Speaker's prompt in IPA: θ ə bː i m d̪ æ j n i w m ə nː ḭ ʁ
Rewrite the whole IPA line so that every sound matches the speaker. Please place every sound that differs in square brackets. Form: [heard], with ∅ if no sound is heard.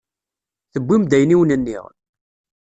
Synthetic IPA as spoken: θ ə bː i m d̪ æ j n i w [n] ə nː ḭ ʁ